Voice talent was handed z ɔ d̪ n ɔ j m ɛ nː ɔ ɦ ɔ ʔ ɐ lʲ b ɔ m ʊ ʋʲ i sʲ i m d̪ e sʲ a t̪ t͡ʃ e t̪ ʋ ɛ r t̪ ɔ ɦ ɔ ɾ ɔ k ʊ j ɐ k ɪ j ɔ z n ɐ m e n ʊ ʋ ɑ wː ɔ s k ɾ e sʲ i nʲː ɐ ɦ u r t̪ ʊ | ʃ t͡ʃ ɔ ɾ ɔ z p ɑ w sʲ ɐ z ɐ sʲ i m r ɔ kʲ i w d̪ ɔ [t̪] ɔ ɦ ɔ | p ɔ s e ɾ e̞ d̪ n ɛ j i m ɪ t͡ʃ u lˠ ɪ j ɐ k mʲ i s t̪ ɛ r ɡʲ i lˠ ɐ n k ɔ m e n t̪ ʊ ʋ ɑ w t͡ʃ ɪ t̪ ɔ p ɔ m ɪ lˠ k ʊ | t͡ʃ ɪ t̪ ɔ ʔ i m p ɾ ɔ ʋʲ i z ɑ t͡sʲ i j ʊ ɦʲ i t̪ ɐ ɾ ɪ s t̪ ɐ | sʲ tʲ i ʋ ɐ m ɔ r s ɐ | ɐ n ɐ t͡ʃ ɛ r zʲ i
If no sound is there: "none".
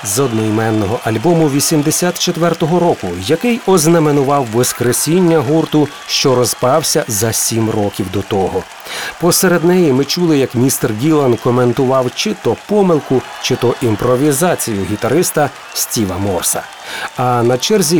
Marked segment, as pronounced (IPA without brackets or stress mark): t̪